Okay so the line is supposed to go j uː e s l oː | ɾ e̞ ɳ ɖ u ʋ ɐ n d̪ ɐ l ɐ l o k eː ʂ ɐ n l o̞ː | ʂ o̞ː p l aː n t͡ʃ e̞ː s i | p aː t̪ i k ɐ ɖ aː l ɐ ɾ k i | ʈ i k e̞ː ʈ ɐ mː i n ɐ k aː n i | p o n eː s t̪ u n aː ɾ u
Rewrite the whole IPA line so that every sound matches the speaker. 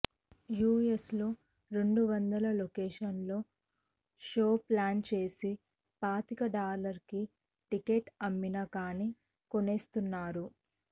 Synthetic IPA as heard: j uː e s l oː | ɾ e̞ ɳ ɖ u ʋ ɐ n d̪ ɐ l ɐ l o k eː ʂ ɐ n l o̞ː | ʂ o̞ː p l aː n t͡ʃ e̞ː s i | p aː t̪ i k ɐ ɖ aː l ɐ ɾ k i | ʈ i k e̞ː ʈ ɐ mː i n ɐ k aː n i | k o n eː s t̪ u nː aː ɾ u